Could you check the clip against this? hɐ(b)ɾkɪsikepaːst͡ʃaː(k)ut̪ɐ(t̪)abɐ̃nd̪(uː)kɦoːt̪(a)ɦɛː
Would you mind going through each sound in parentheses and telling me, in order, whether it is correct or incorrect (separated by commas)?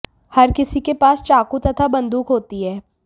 incorrect, correct, incorrect, correct, incorrect